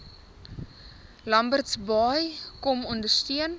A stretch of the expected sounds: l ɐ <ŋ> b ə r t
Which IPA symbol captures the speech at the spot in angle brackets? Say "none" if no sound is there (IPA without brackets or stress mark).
m